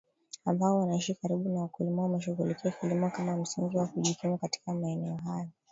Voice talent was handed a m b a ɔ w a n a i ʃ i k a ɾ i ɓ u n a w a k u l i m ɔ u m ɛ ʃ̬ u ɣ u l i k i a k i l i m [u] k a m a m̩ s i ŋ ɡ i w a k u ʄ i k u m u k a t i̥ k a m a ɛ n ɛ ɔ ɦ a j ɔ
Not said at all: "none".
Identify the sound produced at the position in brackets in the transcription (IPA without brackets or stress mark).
ɔ